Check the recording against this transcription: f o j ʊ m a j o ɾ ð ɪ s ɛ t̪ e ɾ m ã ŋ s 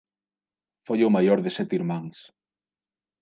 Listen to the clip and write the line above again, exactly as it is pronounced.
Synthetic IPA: f o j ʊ m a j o ɾ ð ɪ s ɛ t̪ i ɾ m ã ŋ s